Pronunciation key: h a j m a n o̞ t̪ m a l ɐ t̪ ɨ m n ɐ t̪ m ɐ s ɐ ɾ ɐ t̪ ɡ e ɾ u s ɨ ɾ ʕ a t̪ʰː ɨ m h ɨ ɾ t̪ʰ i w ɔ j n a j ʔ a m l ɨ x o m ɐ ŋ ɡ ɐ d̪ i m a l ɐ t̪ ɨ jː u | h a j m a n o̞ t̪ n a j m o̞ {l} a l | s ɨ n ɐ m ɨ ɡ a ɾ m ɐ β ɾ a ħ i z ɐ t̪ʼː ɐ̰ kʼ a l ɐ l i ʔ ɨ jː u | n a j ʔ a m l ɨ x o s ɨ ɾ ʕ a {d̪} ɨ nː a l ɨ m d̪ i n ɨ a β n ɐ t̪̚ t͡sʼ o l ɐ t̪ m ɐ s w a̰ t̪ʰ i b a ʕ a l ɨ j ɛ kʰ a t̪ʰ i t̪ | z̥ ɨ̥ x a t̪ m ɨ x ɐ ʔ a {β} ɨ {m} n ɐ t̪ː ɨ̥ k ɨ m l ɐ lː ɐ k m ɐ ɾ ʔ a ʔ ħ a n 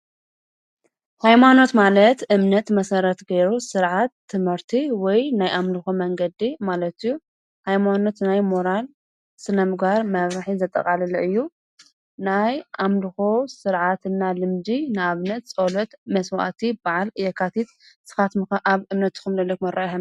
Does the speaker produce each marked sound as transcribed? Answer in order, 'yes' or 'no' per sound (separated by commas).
no, no, yes, yes